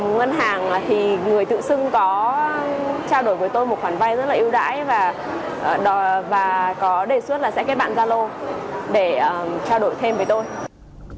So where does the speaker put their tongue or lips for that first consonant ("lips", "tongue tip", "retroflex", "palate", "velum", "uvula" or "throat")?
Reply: velum